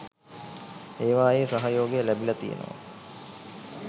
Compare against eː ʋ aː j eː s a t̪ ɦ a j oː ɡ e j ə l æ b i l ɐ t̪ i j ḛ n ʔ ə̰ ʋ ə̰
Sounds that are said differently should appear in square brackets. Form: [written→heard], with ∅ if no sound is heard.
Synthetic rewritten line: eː ʋ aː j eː s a [t̪→∅] ɦ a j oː ɡ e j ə l æ b i l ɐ t̪ i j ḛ n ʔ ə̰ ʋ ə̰